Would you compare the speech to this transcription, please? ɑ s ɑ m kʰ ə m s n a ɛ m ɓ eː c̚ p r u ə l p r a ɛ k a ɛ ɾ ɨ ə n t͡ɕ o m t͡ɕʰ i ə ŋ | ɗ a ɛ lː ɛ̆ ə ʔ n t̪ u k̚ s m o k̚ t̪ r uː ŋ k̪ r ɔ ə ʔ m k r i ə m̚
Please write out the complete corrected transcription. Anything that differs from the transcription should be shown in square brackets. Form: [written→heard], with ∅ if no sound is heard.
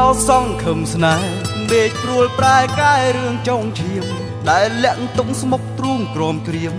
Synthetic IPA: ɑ s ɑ [m→ŋ] kʰ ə m s n a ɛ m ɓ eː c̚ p r u ə l p r a ɛ k a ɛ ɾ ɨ ə [n→ŋ] t͡ɕ o [m→ŋ] t͡ɕʰ i ə [ŋ→m] | ɗ a ɛ lː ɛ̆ ə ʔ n t̪ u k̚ s m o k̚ t̪ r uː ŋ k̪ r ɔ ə [ʔ→∅] m k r i ə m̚